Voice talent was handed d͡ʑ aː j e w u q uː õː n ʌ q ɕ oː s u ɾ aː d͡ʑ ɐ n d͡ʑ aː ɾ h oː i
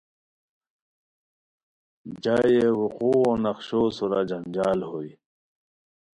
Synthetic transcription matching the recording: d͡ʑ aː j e w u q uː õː n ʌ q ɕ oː s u ɾ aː d͡ʑ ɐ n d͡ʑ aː l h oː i